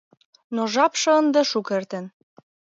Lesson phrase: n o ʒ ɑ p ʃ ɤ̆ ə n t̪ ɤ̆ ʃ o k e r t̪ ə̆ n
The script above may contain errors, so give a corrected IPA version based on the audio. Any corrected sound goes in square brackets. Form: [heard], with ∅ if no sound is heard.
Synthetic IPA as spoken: n o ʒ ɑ p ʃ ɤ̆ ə n [d̪] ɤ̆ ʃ [u] k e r t̪ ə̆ n